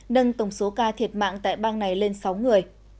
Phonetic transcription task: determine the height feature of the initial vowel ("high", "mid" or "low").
mid